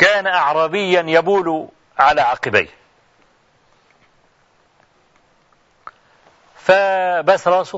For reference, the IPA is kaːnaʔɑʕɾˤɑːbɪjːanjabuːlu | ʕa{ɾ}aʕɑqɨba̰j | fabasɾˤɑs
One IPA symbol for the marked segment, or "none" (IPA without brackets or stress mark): l